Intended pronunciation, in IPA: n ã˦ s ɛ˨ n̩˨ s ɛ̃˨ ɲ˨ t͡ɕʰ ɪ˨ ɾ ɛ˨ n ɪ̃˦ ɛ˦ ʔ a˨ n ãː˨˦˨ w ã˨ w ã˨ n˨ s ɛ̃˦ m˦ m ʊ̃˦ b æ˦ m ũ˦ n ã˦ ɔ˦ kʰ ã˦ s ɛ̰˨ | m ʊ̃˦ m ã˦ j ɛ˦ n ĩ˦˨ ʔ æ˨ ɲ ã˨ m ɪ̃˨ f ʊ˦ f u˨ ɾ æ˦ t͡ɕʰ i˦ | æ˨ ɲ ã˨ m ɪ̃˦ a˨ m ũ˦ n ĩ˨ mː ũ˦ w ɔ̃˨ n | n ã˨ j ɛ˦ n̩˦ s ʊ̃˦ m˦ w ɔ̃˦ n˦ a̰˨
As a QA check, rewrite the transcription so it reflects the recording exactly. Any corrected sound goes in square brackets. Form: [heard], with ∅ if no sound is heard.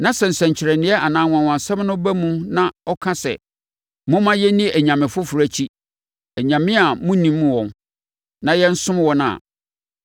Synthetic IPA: n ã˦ s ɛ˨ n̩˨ s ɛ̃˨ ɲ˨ t͡ɕʰ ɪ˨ ɾ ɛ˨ n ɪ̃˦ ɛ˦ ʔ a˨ n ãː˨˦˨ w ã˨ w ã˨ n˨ s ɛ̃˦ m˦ [n] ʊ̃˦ b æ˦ m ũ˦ n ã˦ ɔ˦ kʰ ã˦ s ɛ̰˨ | m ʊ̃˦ m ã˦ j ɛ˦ n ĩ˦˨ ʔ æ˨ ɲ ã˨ m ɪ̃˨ f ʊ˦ f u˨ ɾ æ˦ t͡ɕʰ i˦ | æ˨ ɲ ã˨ m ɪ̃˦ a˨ m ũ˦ n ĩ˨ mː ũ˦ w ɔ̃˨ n | n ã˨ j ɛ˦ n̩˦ s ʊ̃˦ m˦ w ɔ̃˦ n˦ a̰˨